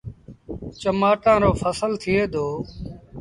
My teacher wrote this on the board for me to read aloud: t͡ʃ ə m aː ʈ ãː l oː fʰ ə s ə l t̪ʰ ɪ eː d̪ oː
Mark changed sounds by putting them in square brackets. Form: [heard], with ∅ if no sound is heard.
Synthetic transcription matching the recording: t͡ʃ ə m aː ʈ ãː [ɾ] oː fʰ ə s ə l t̪ʰ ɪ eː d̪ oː